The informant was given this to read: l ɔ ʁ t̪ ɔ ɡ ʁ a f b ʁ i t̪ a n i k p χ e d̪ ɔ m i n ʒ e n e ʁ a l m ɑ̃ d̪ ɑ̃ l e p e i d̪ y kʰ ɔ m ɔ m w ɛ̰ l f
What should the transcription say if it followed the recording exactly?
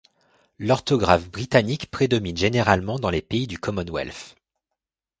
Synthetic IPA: l ɔ ʁ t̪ ɔ ɡ ʁ a f b ʁ i t̪ a n i k p χ e d̪ ɔ m i n ʒ e n e ʁ a l m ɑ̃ d̪ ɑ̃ l e p e i d̪ y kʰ ɔ m ɔ n w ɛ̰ l f